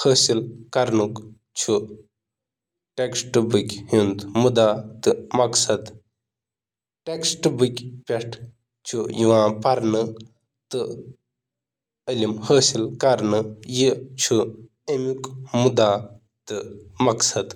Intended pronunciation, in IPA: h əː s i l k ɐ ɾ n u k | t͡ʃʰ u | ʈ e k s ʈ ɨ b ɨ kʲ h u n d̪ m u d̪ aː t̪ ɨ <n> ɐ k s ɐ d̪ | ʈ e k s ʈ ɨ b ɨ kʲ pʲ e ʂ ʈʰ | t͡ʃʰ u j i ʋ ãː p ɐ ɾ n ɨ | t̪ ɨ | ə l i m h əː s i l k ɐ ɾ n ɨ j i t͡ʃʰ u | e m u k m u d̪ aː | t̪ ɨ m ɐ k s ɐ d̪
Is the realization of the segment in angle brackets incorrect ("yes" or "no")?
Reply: yes